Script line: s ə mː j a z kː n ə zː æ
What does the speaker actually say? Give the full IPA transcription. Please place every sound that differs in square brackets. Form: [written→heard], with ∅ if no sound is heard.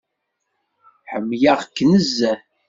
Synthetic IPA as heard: [s→ħ] ə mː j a [z→ʁ] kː n ə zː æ